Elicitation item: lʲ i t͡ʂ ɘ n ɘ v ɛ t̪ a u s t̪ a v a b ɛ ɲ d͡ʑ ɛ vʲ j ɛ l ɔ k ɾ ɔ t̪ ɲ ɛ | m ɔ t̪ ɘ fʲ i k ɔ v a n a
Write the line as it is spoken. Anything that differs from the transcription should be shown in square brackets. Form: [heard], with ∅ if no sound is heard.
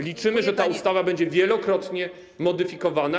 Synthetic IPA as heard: lʲ i t͡ʂ ɘ [m] ɘ [ʐ] ɛ t̪ a u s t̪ a v a b ɛ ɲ d͡ʑ ɛ vʲ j ɛ l ɔ k ɾ ɔ t̪ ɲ ɛ | m ɔ [d̪] ɘ fʲ i k ɔ v a n a